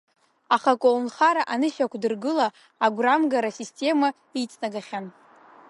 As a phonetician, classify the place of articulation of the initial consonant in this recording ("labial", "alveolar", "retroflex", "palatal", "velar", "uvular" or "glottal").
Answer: uvular